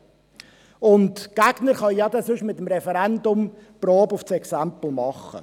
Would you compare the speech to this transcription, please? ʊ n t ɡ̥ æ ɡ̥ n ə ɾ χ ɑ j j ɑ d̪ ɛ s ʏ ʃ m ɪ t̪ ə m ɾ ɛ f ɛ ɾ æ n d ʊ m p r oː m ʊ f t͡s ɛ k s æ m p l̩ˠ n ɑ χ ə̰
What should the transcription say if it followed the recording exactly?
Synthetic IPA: ʊ n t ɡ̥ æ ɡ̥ n ə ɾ χ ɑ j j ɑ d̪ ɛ s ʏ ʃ m ɪ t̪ ə m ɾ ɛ f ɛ ɾ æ n d ʊ m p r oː b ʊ f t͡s ɛ k s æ m p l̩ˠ m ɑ χ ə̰